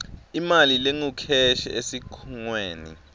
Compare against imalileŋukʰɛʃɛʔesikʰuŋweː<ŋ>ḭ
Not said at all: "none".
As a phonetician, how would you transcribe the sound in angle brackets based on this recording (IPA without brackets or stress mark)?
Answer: n